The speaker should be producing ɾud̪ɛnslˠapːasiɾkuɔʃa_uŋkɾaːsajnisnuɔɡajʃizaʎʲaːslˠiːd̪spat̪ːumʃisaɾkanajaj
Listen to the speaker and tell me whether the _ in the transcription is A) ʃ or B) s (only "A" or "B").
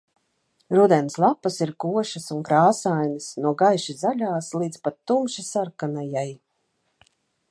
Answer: B